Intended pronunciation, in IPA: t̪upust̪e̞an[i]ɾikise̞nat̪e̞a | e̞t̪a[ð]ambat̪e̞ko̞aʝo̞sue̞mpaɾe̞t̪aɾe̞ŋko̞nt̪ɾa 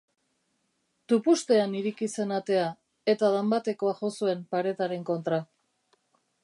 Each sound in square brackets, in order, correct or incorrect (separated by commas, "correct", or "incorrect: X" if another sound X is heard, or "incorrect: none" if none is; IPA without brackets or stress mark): correct, correct